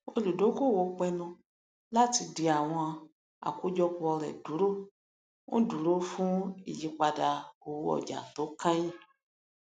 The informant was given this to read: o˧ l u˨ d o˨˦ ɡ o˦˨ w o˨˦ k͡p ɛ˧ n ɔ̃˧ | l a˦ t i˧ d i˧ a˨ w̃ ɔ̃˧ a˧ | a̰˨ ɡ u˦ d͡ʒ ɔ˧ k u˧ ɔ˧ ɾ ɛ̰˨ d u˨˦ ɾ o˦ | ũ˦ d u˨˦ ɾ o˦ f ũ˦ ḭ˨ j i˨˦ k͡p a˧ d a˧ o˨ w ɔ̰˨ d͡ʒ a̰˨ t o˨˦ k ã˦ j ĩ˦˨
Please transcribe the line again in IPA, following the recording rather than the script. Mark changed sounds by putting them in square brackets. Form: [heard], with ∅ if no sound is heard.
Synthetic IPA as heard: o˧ l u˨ d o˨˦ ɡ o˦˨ w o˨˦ k͡p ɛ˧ n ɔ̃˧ | l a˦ t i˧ d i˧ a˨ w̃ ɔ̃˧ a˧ | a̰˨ [k] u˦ d͡ʒ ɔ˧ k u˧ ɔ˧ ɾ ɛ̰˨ d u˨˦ ɾ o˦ | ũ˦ d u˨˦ ɾ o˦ f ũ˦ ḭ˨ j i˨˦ k͡p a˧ d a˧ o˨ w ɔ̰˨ d͡ʒ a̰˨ t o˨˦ k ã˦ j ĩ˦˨

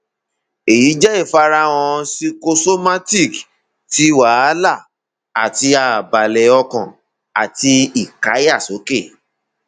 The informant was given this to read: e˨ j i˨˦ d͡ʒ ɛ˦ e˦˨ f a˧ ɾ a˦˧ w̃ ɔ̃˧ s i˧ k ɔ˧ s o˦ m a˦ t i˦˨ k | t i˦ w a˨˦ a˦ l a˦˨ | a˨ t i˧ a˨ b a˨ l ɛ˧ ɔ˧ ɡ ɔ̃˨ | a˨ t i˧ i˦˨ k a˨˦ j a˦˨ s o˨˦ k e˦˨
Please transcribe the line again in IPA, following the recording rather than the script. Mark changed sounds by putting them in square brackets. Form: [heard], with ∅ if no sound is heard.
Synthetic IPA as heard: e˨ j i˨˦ d͡ʒ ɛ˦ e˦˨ f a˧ ɾ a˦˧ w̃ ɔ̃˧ s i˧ k [o˧] s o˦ m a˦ t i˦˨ k | t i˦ w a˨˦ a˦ l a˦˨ | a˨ t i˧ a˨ b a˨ l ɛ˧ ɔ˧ [k] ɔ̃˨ | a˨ t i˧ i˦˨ k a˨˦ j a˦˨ s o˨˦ k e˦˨

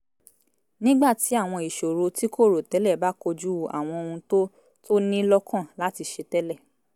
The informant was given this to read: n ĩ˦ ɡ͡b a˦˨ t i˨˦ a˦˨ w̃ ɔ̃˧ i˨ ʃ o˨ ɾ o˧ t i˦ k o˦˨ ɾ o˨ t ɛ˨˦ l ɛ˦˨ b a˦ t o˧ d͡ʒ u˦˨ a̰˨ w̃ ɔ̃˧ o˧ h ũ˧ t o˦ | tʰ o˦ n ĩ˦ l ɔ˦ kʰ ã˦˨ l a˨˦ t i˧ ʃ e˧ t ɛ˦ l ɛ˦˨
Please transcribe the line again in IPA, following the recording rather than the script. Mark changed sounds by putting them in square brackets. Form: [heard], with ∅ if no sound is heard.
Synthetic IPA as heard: n ĩ˦ ɡ͡b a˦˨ t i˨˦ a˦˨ w̃ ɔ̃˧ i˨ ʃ o˨ ɾ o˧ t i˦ k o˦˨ ɾ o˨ t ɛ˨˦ l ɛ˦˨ b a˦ [k] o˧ d͡ʒ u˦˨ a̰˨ w̃ ɔ̃˧ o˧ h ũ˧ t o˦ | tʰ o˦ n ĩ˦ l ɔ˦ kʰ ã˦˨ l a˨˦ t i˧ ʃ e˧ t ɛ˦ l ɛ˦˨

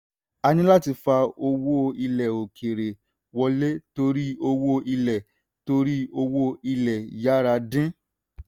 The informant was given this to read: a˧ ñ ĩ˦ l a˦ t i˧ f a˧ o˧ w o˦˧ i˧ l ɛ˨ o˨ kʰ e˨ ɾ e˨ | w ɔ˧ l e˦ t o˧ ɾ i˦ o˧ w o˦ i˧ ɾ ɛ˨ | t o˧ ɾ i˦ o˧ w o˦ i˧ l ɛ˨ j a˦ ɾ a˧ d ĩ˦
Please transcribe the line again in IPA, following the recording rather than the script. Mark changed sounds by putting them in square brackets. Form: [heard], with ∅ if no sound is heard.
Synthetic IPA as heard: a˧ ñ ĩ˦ l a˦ t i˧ f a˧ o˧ w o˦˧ i˧ l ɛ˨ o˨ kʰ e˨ ɾ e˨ | w ɔ˧ l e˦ t o˧ ɾ i˦ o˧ w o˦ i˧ [l] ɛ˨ | t o˧ ɾ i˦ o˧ w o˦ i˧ l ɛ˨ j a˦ ɾ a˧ d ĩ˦

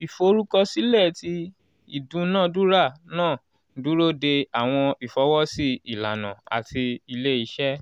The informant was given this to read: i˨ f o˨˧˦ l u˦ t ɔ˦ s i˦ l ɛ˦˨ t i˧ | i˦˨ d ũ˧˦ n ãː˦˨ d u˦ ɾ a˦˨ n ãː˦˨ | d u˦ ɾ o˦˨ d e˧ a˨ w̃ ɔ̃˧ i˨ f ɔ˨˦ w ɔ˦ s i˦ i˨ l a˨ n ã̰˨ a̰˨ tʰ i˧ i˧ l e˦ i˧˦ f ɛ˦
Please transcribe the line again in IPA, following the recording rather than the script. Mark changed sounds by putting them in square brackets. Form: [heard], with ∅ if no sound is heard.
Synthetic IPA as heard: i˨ f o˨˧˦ [ɾ] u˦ [k] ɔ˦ s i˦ l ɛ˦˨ t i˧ | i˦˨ d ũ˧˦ n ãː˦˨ d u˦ ɾ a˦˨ n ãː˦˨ | d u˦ ɾ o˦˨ d e˧ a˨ w̃ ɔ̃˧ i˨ f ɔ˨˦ w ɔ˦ s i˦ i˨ l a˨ n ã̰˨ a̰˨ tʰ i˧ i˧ l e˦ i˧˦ [ʃ] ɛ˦

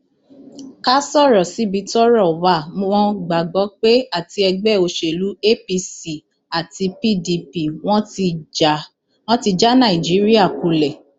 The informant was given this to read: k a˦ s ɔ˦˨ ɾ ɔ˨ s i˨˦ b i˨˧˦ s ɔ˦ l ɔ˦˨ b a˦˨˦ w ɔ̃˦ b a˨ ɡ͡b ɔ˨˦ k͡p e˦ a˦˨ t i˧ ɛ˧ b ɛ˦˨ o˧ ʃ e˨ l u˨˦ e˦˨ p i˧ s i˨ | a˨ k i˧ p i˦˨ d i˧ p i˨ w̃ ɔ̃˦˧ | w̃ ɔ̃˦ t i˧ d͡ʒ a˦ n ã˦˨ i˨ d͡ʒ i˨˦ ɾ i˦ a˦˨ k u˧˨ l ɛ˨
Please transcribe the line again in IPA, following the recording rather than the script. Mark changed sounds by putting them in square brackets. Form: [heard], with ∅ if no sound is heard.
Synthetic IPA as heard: k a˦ s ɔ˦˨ ɾ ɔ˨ s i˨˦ b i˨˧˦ [t] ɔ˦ [ɾ] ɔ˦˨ [w] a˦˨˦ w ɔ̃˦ [ɡ͡b] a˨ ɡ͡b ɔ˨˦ k͡p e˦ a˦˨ t i˧ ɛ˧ [ɡ͡b] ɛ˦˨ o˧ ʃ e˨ l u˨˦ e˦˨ p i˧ s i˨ | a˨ [t] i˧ p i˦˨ d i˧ p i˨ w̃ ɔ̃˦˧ | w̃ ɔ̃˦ t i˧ d͡ʒ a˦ n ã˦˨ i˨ d͡ʒ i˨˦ ɾ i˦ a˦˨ k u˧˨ l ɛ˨

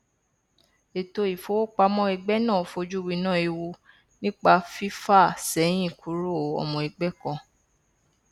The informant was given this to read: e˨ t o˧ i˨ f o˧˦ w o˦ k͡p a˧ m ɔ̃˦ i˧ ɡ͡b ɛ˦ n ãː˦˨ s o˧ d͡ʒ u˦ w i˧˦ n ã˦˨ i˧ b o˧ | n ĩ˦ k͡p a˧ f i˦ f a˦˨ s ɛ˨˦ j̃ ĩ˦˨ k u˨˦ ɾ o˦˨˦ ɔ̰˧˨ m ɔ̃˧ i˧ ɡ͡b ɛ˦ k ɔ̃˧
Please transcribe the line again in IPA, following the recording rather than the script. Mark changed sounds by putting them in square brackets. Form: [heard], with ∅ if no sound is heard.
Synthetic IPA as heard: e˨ t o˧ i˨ f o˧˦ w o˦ k͡p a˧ m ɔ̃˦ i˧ ɡ͡b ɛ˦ n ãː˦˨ [f] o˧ d͡ʒ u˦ w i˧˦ n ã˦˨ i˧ [w] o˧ | n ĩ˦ k͡p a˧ f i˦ f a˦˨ s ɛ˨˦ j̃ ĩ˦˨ k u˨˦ ɾ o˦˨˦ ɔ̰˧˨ m ɔ̃˧ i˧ ɡ͡b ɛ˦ k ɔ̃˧

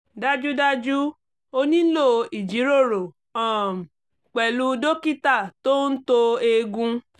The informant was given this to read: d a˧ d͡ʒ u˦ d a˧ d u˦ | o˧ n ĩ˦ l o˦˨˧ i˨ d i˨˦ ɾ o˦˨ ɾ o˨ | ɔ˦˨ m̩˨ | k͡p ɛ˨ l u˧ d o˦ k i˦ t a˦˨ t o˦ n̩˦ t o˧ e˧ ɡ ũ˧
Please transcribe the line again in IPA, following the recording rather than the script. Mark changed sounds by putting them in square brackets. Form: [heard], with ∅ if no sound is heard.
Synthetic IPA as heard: d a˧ d͡ʒ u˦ d a˧ [d͡ʒ] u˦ | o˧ n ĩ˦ l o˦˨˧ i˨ [d͡ʒ] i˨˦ ɾ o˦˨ ɾ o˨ | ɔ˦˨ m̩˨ | k͡p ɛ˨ l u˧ d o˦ k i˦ t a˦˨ t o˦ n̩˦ t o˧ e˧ ɡ ũ˧

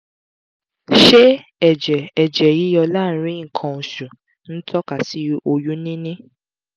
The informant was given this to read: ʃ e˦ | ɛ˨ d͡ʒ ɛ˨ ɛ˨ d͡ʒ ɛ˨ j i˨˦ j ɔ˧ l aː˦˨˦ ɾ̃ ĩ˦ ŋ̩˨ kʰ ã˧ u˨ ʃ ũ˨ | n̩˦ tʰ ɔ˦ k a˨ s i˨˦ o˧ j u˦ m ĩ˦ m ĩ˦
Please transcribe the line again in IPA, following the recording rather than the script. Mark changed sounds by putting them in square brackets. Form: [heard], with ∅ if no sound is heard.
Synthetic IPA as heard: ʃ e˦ | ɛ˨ d͡ʒ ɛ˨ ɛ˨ d͡ʒ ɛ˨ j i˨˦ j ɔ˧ l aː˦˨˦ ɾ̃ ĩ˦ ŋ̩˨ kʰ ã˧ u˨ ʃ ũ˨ | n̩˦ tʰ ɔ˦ k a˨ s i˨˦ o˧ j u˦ [n] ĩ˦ [n] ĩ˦

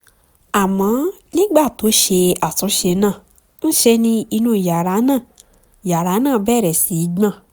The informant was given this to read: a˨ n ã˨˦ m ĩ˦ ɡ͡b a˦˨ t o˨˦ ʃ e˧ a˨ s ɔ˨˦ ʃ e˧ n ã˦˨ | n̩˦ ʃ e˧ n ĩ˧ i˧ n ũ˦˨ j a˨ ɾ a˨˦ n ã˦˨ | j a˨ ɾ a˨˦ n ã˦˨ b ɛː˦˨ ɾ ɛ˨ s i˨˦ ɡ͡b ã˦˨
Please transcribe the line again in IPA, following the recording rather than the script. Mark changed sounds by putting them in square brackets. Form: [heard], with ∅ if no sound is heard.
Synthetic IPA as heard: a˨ [m] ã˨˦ [n] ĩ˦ ɡ͡b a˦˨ t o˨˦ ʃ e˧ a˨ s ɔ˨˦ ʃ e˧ n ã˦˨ | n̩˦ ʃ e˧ n ĩ˧ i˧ n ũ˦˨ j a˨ ɾ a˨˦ n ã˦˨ | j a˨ ɾ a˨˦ n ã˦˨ b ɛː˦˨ ɾ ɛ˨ s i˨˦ ɡ͡b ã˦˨

